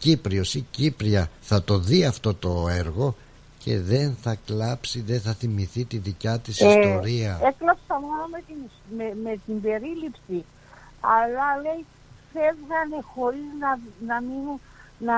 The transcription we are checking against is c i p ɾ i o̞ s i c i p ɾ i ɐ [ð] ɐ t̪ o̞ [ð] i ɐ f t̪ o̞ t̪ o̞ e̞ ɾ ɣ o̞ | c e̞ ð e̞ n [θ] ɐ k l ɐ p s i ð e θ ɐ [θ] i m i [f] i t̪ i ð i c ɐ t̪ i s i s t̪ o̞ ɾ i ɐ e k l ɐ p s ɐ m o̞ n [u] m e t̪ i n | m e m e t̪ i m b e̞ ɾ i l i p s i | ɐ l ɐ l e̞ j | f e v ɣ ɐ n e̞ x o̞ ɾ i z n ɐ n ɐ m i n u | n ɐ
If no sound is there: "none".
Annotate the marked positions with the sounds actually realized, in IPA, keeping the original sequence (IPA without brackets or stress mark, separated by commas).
θ, ð, θ, θ, θ, o